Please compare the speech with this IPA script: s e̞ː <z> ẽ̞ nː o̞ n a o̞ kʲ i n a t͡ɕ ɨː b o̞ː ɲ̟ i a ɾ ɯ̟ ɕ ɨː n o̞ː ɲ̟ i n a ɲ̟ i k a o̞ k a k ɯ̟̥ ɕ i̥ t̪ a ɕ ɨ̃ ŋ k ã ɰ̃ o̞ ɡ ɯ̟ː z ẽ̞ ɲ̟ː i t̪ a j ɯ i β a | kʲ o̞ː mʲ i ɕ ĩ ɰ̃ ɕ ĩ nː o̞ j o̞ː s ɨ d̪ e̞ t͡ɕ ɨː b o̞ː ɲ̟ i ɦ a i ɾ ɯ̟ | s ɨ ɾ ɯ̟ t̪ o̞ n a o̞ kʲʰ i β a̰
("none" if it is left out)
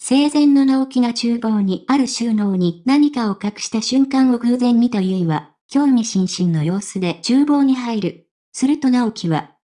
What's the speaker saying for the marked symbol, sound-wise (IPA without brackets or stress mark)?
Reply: z